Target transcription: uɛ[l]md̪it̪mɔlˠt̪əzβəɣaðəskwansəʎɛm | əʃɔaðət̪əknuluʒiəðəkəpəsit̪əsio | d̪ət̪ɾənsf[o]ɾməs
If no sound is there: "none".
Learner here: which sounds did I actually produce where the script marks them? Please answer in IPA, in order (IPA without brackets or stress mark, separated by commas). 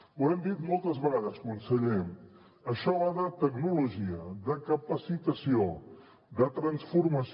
none, u